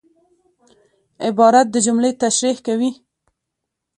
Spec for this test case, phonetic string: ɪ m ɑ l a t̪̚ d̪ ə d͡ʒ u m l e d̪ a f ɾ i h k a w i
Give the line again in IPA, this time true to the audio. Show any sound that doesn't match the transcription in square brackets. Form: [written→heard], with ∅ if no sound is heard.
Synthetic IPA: ɪ [m→b] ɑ [l→ɾ] a t̪̚ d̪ ə d͡ʒ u m l e [d̪→t̪] a [f→ʃ] ɾ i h k a w i